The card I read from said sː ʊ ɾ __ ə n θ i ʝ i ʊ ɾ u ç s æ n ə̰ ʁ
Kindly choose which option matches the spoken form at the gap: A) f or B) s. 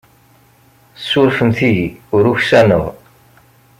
A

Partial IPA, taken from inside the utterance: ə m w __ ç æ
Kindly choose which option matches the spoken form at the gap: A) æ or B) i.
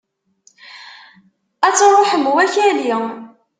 A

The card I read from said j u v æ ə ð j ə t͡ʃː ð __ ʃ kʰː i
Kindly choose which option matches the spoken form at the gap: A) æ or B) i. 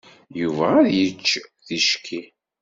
B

